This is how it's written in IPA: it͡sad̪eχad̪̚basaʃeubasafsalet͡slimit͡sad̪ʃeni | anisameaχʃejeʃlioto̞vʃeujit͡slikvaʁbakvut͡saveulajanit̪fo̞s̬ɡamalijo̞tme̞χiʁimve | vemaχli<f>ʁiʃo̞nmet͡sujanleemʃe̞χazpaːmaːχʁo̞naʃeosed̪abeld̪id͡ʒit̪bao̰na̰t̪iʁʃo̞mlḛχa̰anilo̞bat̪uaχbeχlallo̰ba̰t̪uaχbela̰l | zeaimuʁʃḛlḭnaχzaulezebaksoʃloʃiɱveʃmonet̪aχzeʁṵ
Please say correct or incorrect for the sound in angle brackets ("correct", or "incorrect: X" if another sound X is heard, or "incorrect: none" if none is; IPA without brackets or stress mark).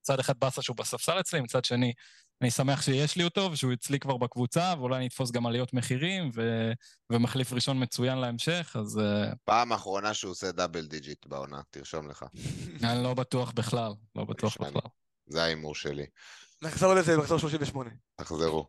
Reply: correct